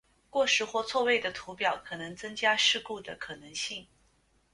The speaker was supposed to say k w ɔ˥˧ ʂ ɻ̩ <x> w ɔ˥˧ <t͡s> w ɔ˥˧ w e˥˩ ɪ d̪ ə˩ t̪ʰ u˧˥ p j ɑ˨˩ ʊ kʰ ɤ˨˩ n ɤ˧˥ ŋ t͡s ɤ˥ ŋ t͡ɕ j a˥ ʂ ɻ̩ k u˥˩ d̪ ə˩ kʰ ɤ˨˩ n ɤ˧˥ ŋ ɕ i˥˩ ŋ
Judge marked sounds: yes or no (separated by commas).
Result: yes, no